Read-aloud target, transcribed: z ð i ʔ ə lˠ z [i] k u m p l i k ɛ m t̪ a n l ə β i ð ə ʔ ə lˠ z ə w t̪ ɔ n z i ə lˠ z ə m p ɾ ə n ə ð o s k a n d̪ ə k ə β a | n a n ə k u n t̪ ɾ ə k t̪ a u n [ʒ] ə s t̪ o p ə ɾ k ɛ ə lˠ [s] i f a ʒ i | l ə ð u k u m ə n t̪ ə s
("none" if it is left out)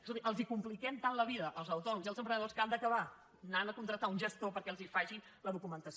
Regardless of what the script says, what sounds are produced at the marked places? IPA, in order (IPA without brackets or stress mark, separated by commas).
i, ʒ, z